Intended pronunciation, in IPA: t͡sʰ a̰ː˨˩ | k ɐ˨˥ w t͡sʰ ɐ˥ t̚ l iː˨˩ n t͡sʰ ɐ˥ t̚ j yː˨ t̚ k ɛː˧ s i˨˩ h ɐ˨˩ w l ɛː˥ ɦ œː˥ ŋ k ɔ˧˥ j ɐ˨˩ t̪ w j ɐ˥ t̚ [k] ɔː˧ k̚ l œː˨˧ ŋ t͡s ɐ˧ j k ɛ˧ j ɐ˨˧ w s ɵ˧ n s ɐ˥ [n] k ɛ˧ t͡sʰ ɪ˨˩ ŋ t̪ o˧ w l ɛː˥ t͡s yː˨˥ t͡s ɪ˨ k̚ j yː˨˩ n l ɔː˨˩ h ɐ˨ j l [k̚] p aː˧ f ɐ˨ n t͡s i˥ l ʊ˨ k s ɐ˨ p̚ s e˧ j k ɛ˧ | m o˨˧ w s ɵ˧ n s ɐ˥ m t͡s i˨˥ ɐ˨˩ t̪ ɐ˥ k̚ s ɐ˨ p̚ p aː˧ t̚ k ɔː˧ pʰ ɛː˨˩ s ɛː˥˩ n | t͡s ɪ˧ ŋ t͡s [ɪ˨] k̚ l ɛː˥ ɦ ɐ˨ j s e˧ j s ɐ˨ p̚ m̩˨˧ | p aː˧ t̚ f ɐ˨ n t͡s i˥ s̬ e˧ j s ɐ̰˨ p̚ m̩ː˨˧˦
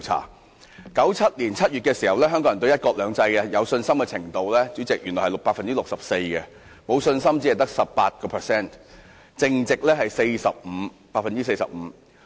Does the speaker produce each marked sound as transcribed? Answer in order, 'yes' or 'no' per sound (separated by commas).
yes, no, yes, yes